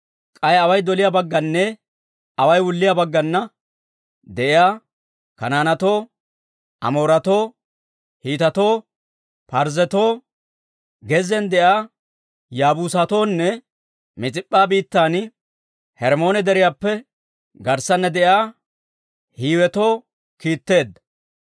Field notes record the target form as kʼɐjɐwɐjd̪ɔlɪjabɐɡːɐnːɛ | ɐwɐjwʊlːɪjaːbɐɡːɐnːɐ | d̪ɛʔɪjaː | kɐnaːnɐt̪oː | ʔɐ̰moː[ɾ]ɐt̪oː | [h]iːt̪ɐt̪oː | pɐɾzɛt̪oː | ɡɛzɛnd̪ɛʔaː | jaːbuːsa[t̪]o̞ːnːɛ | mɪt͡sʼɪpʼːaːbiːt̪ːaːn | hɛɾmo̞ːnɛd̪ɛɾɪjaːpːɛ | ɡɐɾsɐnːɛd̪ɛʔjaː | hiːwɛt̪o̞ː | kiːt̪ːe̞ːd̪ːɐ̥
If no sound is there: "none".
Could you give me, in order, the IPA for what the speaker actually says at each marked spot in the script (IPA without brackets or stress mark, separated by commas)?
ɾ, h, t̪